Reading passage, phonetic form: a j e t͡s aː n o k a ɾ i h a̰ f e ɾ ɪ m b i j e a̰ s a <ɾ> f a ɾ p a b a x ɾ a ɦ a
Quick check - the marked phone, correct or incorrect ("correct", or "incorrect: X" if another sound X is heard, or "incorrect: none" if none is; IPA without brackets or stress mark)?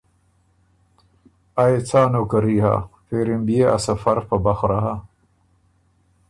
incorrect: none